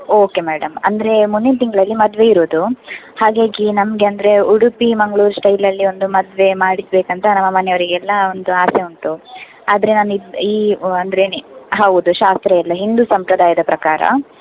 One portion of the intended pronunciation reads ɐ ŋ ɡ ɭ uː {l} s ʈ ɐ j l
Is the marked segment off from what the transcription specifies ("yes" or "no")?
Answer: yes